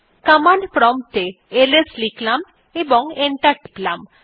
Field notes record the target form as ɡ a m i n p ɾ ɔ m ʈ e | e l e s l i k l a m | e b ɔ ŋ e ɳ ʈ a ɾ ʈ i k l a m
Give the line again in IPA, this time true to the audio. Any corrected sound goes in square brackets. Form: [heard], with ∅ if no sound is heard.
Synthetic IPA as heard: [k] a m [a] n p ɾ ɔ m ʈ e | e l e s l i k l a m | e b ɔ ŋ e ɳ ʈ a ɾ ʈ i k l a m